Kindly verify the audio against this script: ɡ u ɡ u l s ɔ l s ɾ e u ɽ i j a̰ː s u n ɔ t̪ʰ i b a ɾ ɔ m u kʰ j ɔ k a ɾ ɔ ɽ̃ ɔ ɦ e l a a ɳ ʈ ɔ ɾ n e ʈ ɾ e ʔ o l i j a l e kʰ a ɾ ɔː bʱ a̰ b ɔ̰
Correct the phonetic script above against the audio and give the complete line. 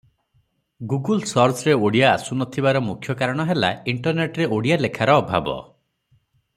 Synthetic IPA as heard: ɡ u ɡ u l s ɔ ɾ s ɾ e o ɽ i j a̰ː s u n ɔ t̪ʰ i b a ɾ ɔ m u kʰ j ɔ k a ɾ ɔ ɽ̃ ɔ ɦ e l a i ɳ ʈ ɔ ɾ n e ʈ ɾ e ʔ o ɽ i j a l e kʰ a ɾ ɔː bʱ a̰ b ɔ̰